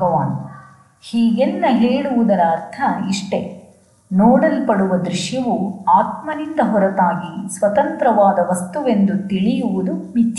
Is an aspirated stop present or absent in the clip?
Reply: present